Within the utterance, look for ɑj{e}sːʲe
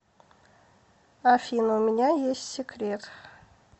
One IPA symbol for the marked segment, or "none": e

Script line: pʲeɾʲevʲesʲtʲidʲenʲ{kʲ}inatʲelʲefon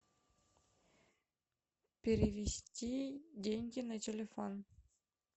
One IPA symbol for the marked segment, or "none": ɡʲ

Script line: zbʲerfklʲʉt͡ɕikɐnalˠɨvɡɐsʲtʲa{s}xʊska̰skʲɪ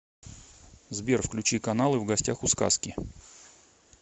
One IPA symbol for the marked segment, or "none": none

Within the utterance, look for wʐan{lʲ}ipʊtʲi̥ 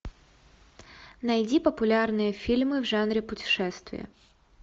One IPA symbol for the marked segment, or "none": ɾʲ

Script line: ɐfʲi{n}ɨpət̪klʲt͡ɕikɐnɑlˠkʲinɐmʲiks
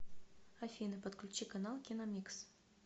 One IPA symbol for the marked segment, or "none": n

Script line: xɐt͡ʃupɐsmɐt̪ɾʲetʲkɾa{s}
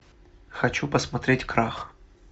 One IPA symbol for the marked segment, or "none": x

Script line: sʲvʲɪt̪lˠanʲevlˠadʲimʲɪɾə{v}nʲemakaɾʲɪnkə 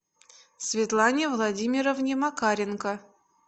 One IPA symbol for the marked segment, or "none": v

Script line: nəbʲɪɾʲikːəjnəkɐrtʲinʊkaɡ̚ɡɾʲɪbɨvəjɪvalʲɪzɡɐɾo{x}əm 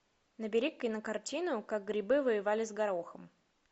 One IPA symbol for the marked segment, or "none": x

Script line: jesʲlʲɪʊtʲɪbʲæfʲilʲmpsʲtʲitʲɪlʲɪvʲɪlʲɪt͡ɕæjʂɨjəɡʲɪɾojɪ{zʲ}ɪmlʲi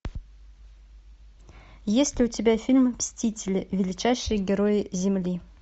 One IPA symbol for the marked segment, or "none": zʲ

